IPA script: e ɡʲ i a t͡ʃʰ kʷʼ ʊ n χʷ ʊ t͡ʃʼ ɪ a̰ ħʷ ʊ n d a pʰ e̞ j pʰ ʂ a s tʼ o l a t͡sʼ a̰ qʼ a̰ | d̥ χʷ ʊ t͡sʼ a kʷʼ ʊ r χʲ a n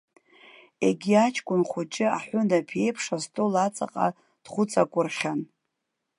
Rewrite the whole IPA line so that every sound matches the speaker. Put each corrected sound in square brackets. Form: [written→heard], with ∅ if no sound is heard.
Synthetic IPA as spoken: e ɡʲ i a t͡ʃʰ kʷʼ ʊ n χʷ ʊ t͡ʃʼ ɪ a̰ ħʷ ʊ n d a pʰ e̞ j pʰ ʂ a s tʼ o l a t͡sʼ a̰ qʼ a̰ | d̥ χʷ ʊ t͡sʼ a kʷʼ ʊ r χʲ a n